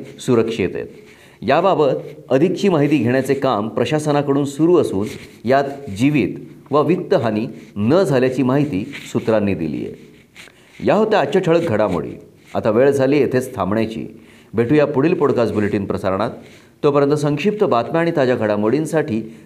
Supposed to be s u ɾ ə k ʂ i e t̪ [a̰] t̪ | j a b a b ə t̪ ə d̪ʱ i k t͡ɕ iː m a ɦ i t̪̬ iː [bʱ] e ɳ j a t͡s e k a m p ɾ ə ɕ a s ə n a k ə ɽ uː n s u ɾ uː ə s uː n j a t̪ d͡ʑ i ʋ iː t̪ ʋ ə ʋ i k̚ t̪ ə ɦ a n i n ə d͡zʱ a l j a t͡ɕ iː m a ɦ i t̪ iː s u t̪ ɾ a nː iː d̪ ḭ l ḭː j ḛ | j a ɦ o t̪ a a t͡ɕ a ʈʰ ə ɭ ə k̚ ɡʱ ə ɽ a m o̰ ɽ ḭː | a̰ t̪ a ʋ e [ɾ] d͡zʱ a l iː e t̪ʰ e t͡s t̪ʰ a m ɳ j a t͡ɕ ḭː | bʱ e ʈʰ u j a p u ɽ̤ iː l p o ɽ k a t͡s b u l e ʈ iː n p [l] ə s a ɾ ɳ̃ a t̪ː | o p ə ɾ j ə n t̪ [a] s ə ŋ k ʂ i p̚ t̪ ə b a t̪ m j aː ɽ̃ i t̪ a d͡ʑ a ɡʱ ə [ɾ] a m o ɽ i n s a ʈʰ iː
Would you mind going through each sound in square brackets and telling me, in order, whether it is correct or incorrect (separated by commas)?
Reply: incorrect, incorrect, incorrect, incorrect, incorrect, incorrect